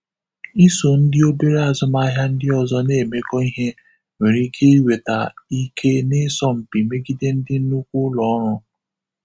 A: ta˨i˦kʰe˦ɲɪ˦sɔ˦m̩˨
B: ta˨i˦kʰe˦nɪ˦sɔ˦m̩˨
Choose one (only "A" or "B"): B